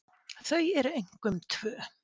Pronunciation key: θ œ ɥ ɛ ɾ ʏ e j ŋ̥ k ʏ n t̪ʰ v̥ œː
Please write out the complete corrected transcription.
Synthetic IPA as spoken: θ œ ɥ ɛ ɾ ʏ e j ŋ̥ k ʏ m t̪ʰ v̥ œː

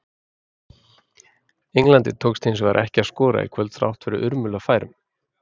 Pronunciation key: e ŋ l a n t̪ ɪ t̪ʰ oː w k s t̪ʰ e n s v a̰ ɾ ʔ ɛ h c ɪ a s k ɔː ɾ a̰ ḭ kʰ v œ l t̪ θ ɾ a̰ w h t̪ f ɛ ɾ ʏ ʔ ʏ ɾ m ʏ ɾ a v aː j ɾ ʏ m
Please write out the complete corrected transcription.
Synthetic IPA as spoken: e ŋ l a n t̪ ɪ t̪ʰ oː w k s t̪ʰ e n s v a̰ ɾ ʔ ɛ h c ɪ a s k ɔː ɾ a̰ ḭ kʰ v œ l t̪ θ ɾ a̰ w h t̪ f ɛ ɾ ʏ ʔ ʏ ɾ m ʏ l a f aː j ɾ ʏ m

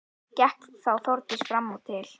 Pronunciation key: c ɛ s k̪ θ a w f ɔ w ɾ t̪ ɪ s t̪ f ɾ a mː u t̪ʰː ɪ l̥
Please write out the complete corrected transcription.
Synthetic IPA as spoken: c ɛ h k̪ θ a w θ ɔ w ɾ t̪ ɪ s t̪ f ɾ a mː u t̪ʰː ɪ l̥

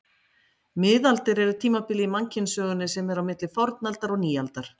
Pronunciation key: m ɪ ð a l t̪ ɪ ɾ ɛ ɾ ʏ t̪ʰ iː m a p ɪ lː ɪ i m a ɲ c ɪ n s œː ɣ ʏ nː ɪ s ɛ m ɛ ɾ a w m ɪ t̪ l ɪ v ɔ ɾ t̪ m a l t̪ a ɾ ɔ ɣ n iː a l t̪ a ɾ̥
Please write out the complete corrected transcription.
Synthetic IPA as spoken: m ɪ ð a l t̪ ɪ ɾ ɛ ɾ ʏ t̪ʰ iː m a p ɪ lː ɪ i m a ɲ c ɪ n s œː ɣ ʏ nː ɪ s ɛ m ɛ ɾ a w m ɪ t̪ l ɪ f ɔ ɾ t̪ n a l t̪ a ɾ ɔ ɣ n iː a l t̪ a ɾ̥

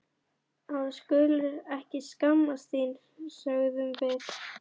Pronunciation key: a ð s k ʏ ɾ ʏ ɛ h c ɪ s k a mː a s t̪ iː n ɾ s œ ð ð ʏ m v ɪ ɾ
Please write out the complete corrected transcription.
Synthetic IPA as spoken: a ð s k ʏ l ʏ ɛ h c ɪ s k a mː a s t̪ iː n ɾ s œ ɣ ð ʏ m v ɪ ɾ

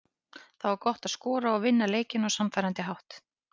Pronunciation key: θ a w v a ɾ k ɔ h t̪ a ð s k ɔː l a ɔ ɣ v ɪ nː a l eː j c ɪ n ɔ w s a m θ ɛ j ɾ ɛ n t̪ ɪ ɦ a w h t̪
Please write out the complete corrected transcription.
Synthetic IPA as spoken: θ a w v a ɾ k ɔ h t̪ a ð s k ɔː ɾ a ɔ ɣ v ɪ nː a l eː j c ɪ n ɔ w s a m f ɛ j ɾ a n t̪ ɪ ɦ a w h t̪

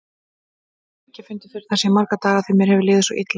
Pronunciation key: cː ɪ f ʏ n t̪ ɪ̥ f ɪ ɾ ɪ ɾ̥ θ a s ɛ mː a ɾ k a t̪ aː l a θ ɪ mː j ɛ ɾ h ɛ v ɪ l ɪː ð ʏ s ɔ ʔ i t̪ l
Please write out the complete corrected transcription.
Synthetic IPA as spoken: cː ɪ f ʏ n t̪ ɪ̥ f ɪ ɾ ɪ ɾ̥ θ a s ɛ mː a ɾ k a t̪ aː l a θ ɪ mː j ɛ ɾ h ɛ v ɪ l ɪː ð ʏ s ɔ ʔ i t̪ l

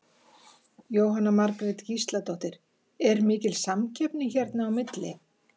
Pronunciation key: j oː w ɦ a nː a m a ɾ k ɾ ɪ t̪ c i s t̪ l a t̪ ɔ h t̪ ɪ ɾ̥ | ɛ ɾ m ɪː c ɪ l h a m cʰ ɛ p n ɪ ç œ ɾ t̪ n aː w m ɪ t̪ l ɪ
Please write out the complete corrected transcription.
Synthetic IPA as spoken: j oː w ɦ a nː a m a ɾ k ɾ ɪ t̪ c i s t̪ l a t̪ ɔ h t̪ ɪ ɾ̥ | ɛ ɾ m ɪː c ɪ l s a m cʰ ɛ p n ɪ ç ɛ ɾ t̪ n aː w m ɪ t̪ l ɪ

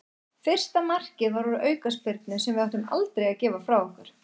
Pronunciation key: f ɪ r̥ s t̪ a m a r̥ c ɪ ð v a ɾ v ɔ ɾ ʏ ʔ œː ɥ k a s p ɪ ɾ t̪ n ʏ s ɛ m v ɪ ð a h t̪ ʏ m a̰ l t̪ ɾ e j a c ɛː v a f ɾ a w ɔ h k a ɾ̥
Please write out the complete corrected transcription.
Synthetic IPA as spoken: f ɪ r̥ s t̪ a m a r̥ c ɪ ð v a ɾ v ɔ ɾ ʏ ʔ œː ɥ k a s p ɪ ɾ t̪ n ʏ s ɛ m v ɪ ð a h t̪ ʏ m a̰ l t̪ ɾ e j a c ɛː v a f ɾ a w ɔ h k a ɾ̥

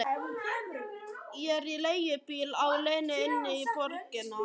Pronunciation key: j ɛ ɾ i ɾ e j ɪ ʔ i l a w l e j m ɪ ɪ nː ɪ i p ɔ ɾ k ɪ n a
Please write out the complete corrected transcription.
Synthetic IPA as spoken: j ɛ ɾ i l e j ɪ p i l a w l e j n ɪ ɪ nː ɪ i p ɔ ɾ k ɪ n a

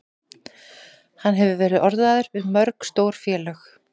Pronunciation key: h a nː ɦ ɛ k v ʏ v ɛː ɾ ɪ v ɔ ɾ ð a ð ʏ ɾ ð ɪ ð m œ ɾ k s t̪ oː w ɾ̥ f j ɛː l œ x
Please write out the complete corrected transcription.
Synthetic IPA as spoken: h a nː ɦ ɛ v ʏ v ɛː ɾ ɪ ð ɔ ɾ ð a ð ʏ ɾ v ɪ ð m œ ɾ k s t̪ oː w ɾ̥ f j ɛː l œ x

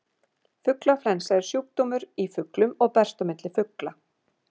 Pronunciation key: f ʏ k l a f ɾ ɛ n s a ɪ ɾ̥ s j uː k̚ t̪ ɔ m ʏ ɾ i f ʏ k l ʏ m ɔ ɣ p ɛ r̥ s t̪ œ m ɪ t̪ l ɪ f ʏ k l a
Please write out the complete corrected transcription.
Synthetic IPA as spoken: f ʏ k l a f l ɛ n s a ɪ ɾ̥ s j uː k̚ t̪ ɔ m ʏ ɾ i f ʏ k l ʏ m ɔ ɣ p ɛ r̥ s t̪ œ m ɪ t̪ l ɪ f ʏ k l a

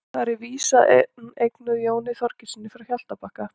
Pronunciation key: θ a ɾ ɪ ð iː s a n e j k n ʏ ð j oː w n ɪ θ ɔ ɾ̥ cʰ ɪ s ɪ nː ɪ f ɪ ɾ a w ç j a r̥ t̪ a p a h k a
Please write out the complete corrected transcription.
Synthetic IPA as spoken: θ a ɾ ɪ v iː s a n e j k n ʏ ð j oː w n ɪ θ ɔ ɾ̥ c ɪ s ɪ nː ɪ f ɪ ɾ a w ç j a l̥ t̪ a p a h k a

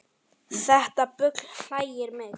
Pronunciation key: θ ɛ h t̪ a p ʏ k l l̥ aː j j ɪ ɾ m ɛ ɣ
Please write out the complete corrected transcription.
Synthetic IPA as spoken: θ ɛ h t̪ a p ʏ k l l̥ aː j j ɪ ɾ m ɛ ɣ

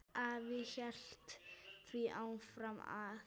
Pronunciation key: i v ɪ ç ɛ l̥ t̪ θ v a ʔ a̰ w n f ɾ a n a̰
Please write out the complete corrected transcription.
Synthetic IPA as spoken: a v ɪ ç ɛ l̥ t̪ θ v i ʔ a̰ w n f ɾ a m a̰

